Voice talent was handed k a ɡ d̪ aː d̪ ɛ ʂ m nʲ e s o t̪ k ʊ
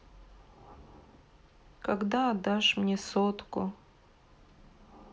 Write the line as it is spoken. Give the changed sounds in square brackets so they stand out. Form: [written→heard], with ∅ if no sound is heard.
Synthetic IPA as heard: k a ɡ d̪ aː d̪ [ɛ→a] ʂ m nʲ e s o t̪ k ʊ